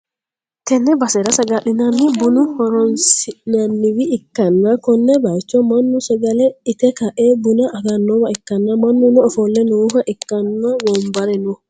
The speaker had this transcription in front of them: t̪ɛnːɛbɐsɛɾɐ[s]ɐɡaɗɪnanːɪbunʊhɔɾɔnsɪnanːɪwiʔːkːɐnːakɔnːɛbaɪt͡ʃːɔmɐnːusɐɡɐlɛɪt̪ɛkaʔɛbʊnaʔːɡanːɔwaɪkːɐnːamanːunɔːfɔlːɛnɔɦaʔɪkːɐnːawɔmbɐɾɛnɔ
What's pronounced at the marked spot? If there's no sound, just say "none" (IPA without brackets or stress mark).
s